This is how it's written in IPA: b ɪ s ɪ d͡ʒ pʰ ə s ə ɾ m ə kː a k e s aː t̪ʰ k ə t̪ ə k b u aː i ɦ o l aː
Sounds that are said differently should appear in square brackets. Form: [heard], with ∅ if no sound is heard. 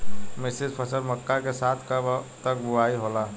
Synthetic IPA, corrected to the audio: [m] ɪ s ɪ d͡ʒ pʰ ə s ə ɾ m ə kː a k e s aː t̪ʰ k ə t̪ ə k b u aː i ɦ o l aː